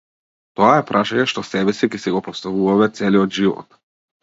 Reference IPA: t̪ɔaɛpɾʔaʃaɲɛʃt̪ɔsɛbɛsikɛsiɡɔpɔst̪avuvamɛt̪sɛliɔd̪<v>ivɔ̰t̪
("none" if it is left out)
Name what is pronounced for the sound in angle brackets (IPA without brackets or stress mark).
ʒ